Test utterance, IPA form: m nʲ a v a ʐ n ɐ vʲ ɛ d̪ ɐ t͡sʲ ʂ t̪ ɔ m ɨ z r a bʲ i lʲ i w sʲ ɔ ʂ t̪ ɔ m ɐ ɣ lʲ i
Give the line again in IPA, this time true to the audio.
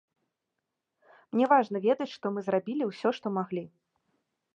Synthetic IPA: m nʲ ɛ v a ʐ n ɐ vʲ ɛ d̪ ɐ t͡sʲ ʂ t̪ ɔ m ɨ z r a bʲ i lʲ i w sʲ ɔ ʂ t̪ ɔ m a ɣ lʲ i